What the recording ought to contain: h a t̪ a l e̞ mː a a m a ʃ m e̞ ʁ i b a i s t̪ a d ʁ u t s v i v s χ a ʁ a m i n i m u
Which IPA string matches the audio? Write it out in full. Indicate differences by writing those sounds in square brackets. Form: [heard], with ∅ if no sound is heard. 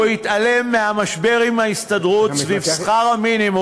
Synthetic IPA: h [i] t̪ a l e̞ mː [e] a m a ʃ [b] e̞ ʁ i [m] a i s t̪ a d ʁ u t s v i v s χ a ʁ a m i n i m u